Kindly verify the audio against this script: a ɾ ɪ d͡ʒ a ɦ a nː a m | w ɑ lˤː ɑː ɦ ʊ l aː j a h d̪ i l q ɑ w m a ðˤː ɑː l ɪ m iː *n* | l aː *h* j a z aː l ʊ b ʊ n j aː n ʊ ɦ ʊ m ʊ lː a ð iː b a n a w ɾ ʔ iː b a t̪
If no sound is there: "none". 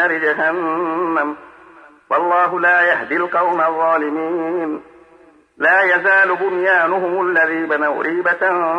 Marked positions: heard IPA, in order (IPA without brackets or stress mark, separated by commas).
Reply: n, none